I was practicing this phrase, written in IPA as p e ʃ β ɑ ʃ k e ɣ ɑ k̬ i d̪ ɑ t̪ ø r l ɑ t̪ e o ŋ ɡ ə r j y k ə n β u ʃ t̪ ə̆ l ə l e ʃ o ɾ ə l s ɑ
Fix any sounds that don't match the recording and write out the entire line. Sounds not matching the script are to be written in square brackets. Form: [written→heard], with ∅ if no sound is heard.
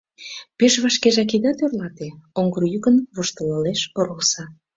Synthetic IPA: p e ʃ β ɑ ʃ k e [ɣ→ʒ] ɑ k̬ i d̪ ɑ t̪ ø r l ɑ t̪ e o ŋ ɡ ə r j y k ə n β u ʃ t̪ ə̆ l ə l e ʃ o ɾ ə l s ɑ

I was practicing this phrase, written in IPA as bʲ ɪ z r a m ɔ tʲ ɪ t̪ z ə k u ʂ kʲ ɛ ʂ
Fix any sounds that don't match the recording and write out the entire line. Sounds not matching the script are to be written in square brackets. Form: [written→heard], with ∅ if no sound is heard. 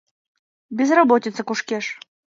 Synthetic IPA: bʲ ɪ z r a [m→b] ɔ tʲ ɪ t̪ [z→s] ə k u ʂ kʲ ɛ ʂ

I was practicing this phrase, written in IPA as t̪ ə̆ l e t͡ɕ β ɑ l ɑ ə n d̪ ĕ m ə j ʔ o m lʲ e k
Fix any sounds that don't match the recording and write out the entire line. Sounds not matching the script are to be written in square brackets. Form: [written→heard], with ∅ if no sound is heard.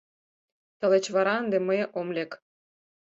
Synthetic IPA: t̪ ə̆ l e t͡ɕ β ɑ [l→ɾ] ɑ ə n d̪ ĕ m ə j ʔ o m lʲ e k

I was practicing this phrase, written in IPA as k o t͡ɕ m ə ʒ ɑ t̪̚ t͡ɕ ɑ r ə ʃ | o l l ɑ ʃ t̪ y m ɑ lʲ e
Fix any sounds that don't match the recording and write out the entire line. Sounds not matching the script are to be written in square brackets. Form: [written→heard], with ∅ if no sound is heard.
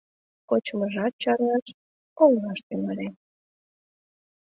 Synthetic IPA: k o t͡ɕ m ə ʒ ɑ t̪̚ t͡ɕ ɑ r [ə→ɑ] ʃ | o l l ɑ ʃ t̪ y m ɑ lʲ e

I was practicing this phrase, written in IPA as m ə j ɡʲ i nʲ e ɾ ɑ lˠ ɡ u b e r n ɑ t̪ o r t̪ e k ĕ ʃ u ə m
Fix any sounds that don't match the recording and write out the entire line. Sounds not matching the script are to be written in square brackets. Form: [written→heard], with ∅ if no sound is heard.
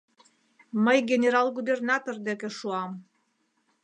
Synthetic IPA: m ə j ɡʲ [i→e] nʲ e ɾ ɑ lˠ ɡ u b e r n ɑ t̪ o r [t̪→d̪] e k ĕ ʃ u [ə→ɑ] m

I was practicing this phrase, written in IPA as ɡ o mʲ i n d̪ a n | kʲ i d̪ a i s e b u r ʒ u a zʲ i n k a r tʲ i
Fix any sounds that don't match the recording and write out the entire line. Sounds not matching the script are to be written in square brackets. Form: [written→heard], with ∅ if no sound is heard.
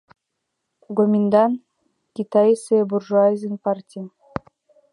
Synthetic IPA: ɡ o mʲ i n d̪ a n | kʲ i [d̪→t̪] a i s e b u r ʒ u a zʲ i n [k→p] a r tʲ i

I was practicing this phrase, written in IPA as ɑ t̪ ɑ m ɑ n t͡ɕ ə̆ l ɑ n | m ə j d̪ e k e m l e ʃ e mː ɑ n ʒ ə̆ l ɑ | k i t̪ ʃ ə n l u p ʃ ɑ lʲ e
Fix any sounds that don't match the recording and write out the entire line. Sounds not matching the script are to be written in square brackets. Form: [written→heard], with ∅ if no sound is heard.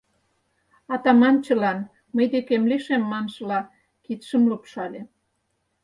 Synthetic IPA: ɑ t̪ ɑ m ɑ n t͡ɕ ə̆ l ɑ n | m ə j d̪ e k e m l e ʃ e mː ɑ n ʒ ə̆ l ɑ | k i t̪ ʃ ə [n→m] l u p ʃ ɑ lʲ e

